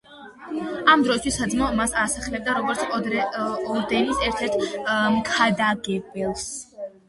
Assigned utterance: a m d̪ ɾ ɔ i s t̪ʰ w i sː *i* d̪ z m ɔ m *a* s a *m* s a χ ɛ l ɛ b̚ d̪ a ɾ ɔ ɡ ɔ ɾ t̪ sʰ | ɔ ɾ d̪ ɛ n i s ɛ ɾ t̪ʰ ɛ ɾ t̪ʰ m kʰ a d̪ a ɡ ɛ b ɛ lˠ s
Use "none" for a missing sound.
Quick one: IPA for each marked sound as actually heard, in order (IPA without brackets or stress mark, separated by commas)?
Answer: a, a, none